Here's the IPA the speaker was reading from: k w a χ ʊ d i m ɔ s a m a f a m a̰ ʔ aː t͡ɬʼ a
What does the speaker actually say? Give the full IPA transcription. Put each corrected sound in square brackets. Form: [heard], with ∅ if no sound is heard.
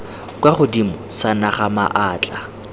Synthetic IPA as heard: k w a χ ʊ d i m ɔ s a [n] a [χ] a m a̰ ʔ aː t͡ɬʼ a